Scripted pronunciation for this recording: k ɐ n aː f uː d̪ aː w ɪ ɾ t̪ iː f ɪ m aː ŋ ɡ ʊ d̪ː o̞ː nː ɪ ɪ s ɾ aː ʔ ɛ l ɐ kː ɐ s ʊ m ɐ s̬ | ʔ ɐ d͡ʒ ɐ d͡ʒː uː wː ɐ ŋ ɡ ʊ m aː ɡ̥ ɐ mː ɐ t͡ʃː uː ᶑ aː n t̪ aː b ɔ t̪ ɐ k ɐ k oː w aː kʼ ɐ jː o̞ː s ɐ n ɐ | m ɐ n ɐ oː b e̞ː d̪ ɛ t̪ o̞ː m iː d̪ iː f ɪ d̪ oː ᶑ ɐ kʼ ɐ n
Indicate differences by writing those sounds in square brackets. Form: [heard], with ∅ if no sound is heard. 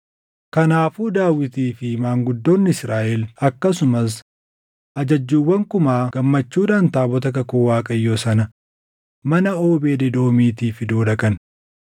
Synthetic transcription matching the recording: k ɐ n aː f uː d̪ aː w ɪ [∅] t̪ iː f ɪ m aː ŋ ɡ ʊ d̪ː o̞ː nː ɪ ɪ s ɾ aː ʔ ɛ l ɐ kː ɐ s ʊ m ɐ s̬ | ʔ ɐ d͡ʒ ɐ d͡ʒː uː wː ɐ ŋ [k] ʊ m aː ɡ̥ ɐ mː ɐ t͡ʃː uː ᶑ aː n t̪ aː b ɔ t̪ ɐ k ɐ k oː w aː kʼ ɐ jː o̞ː s ɐ n ɐ | m ɐ n ɐ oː b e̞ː d̪ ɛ [d̪] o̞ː m iː [t̪] iː f ɪ d̪ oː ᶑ ɐ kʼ ɐ n